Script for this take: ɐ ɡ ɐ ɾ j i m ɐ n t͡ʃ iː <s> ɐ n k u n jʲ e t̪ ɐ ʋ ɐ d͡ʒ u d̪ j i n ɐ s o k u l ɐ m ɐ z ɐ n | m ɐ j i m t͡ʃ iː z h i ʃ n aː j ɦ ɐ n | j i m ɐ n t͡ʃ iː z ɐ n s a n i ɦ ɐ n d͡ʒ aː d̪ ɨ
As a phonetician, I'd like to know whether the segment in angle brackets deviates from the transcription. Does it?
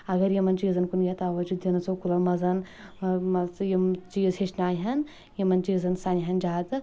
yes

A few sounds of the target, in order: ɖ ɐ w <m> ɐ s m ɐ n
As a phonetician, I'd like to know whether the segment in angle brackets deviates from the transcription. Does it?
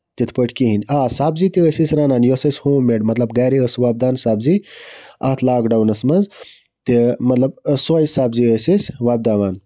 yes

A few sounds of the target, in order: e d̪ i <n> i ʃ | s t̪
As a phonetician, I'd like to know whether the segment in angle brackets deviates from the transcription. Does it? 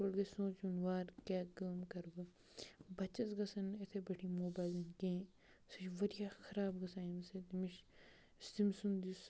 yes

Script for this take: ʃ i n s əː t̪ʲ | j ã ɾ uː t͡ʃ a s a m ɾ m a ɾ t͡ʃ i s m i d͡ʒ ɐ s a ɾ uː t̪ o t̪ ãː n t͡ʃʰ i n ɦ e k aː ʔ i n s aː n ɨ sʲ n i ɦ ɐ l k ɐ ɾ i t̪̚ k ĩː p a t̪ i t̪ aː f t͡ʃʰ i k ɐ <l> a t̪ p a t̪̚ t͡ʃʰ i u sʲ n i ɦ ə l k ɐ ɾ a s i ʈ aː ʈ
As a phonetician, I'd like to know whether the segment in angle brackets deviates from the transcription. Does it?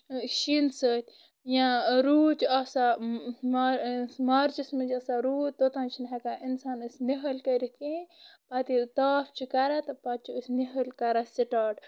yes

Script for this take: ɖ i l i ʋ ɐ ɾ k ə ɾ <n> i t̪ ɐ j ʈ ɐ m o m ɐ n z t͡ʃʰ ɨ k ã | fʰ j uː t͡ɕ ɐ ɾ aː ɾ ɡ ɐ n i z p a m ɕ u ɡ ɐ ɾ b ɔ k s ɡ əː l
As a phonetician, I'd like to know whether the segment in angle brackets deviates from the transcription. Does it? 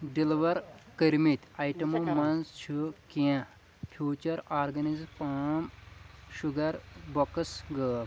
yes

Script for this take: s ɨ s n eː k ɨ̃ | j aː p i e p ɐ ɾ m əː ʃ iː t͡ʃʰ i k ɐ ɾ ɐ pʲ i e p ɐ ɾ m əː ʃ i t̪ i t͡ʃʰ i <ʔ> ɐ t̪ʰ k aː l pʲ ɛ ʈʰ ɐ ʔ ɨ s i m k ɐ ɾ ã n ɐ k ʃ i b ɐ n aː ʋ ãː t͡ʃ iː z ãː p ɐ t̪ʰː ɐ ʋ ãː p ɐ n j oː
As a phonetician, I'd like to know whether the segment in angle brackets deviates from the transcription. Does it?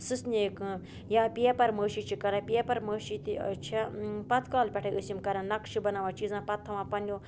yes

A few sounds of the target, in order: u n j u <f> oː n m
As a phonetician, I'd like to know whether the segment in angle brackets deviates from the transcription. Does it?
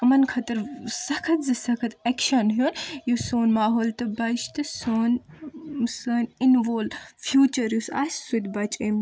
yes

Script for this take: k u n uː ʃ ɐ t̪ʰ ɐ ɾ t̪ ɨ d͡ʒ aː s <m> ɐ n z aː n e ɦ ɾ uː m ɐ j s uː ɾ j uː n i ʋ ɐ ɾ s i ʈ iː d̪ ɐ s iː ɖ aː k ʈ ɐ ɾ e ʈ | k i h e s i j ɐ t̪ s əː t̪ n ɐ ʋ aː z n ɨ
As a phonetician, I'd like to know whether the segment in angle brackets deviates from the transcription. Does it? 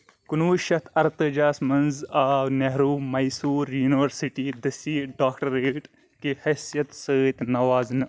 no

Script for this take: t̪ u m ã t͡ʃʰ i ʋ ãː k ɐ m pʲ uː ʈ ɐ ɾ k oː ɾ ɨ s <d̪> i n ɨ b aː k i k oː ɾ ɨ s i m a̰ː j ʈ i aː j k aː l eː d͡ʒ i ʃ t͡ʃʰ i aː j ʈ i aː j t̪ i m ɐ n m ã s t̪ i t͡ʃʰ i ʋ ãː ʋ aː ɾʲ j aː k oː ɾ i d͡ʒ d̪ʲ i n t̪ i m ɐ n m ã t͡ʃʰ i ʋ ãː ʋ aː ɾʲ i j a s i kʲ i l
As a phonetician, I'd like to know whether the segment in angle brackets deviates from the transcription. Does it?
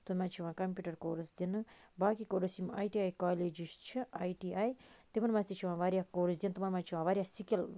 no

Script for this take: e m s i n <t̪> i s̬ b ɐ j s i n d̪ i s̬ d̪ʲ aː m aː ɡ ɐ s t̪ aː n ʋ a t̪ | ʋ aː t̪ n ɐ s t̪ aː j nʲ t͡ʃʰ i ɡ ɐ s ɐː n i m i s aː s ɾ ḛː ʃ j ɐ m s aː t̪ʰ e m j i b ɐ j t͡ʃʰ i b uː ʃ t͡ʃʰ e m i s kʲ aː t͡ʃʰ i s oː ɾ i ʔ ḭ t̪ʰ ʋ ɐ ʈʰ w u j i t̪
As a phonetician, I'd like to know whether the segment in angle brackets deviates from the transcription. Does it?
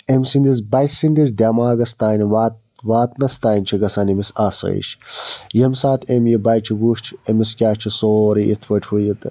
yes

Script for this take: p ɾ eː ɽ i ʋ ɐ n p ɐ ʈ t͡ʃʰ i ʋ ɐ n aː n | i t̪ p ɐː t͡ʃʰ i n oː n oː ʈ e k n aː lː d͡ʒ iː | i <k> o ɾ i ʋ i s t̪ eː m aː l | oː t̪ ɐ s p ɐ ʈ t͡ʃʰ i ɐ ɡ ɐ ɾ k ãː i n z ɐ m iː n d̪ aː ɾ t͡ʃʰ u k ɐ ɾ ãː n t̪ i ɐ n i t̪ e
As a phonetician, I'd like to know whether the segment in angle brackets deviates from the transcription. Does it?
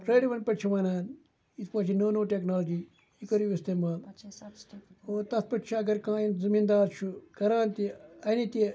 no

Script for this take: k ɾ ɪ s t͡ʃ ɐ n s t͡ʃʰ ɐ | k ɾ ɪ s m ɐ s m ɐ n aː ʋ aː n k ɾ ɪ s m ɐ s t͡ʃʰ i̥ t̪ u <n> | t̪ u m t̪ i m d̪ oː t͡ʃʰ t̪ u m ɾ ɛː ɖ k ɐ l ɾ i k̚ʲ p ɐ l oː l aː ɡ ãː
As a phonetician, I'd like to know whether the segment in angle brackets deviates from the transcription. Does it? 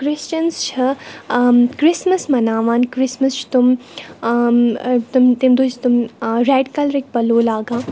yes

